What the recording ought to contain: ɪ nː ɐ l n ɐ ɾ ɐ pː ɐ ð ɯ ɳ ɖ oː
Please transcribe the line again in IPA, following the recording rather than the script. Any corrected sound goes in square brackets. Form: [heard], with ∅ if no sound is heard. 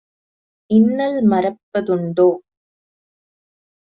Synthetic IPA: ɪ nː ɐ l [m] ɐ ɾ ɐ pː ɐ ð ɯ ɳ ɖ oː

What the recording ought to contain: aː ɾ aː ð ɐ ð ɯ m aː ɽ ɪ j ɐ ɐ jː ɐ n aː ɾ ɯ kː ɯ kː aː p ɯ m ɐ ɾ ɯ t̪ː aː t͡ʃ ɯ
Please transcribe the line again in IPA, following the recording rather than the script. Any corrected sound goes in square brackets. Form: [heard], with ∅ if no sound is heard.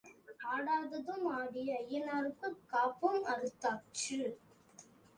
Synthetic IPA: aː [ɽ] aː ð ɐ ð ɯ m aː ɽ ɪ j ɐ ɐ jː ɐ n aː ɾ ɯ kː ɯ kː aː p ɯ m ɐ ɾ ɯ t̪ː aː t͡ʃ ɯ

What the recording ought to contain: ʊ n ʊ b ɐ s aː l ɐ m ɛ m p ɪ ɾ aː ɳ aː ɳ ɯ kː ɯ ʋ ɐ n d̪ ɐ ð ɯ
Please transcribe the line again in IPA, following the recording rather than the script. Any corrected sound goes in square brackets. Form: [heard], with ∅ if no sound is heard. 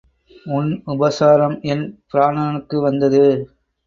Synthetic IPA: ʊ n ʊ b ɐ s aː [ɾ] ɐ m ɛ [n] p ɪ ɾ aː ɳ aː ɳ ɯ kː ɯ ʋ ɐ n d̪ ɐ ð ɯ

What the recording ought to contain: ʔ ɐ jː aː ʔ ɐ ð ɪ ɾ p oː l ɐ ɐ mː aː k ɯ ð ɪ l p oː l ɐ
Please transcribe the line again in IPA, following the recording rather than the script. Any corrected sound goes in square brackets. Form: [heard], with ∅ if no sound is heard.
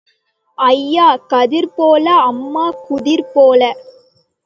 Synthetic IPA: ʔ ɐ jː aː [k] ɐ ð ɪ ɾ p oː l ɐ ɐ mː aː k [ʊ] ð ɪ [ɾ] p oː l ɐ

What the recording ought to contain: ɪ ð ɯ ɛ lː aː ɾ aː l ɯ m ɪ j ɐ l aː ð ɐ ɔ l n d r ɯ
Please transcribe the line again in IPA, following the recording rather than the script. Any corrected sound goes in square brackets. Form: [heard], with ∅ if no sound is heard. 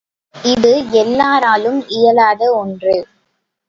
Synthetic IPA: ɪ ð ɯ ɛ lː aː ɾ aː l ɯ m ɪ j ɐ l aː ð ɐ ɔ [∅] n d r ɯ

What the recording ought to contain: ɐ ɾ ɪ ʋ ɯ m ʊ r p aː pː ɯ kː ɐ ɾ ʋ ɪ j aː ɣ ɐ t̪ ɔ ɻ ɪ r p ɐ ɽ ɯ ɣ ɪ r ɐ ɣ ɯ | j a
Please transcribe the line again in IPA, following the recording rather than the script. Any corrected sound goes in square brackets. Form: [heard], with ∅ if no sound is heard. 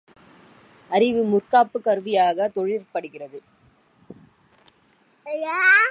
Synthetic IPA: ɐ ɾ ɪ ʋ ɯ m ʊ r [k] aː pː ɯ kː ɐ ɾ ʋ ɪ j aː ɣ ɐ t̪ ɔ ɻ ɪ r p ɐ ɽ ɯ ɣ ɪ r ɐ [ð] ɯ | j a

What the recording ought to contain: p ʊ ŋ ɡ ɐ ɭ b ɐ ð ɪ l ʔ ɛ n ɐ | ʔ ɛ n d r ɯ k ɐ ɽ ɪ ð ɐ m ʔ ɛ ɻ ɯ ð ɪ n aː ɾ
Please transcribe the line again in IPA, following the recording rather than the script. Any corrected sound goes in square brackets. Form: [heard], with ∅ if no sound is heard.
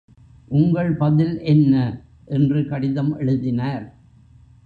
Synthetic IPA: [ʔ] ʊ ŋ ɡ ɐ ɭ [p] ɐ ð ɪ l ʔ ɛ [nː] ɐ | ʔ ɛ n d r ɯ k ɐ ɽ ɪ ð ɐ m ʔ ɛ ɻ ɯ ð ɪ n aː ɾ

